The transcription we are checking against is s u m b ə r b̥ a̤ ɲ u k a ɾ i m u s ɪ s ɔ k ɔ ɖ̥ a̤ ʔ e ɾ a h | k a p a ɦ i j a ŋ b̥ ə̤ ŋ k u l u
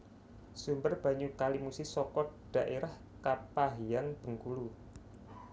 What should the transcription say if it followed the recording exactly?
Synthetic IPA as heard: s u m b ə r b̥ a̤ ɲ u k a l i m u s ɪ s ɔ k ɔ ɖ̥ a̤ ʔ e ɾ a h | k a p a ɦ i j a ŋ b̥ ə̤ ŋ k u l u